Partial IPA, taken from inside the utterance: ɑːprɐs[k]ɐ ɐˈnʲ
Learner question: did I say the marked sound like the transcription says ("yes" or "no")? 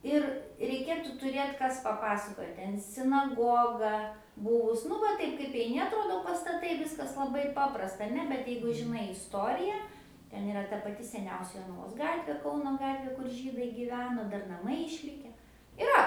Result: no